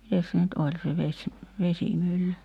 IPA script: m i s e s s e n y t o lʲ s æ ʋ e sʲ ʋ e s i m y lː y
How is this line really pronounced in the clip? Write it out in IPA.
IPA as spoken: m i t e s s e n y t o lʲ s e ʋ e sʲ ʋ e s i m y lː y